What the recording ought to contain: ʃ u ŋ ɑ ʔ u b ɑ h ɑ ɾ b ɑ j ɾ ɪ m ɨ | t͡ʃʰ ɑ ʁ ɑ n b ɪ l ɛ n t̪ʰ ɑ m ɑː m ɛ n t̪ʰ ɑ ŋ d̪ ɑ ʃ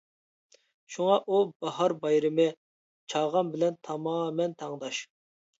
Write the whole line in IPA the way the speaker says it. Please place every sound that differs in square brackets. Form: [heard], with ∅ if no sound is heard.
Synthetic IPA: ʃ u ŋ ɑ ʔ u b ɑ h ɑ ɾ b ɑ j ɾ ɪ m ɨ | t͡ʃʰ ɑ ʁ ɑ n b ɪ l ɛ n t̪ʰ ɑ m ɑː m ɛ n t̪ʰ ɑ ŋ d̪ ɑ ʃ